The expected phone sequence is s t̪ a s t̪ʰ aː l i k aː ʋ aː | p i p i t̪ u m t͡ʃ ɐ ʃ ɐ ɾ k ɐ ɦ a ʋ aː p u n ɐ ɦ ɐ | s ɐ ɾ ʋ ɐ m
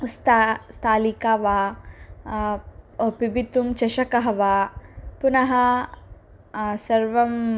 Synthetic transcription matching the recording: s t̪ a s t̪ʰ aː l i k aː ʋ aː | p i b i t̪ u m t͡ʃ ɐ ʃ ɐ k ɐ ɦ ɐ ʋ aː p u n ɐ ɦ ɐ | s ɐ ɾ ʋ ɐ m